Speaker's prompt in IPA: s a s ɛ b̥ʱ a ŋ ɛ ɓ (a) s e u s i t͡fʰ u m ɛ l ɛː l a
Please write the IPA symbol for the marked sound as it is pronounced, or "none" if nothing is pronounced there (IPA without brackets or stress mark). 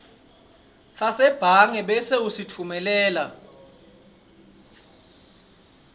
ɛ